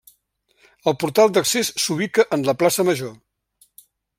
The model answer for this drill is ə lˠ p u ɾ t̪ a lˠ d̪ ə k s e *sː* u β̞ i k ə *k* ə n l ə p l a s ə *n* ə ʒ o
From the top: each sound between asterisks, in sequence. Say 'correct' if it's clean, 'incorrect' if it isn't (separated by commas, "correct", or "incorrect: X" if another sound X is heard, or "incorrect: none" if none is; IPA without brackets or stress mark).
correct, incorrect: ʔ, incorrect: m